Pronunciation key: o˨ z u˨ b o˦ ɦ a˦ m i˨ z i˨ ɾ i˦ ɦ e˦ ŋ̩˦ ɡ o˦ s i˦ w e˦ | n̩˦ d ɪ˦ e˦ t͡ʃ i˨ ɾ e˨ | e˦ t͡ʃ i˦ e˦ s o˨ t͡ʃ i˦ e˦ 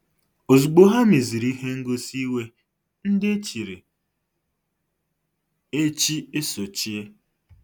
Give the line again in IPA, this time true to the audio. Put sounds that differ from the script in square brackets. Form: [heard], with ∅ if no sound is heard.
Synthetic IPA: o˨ z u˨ [ɡ͡b] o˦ ɦ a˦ m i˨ z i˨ ɾ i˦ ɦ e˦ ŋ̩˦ ɡ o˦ s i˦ w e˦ | n̩˦ d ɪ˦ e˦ t͡ʃ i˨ ɾ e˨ | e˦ t͡ʃ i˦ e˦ s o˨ t͡ʃ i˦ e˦